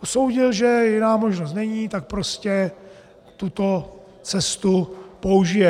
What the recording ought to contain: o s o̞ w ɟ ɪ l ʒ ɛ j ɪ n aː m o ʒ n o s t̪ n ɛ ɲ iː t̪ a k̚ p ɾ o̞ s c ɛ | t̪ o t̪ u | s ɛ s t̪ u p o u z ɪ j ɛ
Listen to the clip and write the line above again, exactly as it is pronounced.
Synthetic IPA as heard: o s o̞ w ɟ ɪ l ʒ ɛ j ɪ n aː m o ʒ n o s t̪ n ɛ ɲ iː t̪ a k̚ p ɾ o̞ s c ɛ | t̪ u t̪ o | t͡s ɛ s t̪ u p o u ʒ ɪ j ɛ